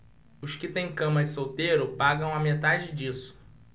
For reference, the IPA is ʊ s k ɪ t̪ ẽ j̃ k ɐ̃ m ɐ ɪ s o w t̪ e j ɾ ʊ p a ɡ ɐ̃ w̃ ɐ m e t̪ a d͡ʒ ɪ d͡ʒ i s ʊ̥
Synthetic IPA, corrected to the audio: ʊ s k ɪ t̪ ẽ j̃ k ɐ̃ m ɐ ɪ s o w t̪ e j ɾ ʊ p a ɡ ɐ̃ w̃ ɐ m e t̪ a d͡ʒ ɪ d͡ʒ i s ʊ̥